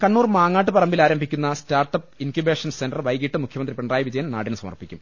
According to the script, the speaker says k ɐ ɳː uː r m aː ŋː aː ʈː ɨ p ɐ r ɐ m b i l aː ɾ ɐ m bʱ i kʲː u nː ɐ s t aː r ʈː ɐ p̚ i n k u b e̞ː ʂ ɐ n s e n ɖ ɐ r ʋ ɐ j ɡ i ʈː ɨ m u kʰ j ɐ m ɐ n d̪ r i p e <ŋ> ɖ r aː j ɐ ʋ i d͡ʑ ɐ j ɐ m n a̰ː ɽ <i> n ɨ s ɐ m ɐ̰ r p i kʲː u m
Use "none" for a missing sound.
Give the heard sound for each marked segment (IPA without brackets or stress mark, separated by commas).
ɳ, i